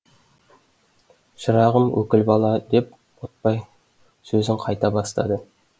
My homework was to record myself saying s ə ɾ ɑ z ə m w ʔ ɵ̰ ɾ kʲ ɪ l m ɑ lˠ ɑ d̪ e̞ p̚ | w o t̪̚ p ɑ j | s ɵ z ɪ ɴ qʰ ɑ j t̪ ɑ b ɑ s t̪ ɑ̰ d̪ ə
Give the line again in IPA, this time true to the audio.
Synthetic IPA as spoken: ʃ ə ɾ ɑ ʁ ə m w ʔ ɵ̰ kʲ ɪ l b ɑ lˠ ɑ d̪ e̞ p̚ | w o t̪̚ p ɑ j | s ɵ z ɪ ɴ qʰ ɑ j t̪ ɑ b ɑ s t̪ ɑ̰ d̪ ə